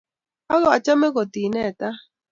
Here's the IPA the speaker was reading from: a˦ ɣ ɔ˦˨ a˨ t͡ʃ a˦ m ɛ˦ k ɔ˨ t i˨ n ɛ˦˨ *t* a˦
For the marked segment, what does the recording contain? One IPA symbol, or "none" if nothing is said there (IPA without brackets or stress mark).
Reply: t